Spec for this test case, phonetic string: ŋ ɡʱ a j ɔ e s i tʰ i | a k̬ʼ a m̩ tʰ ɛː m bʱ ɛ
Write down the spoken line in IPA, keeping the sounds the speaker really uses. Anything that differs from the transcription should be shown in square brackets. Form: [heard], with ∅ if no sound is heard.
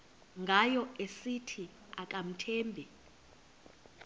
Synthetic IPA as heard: ŋ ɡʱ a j ɔ e s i tʰ i | a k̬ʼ a m̩ tʰ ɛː m bʱ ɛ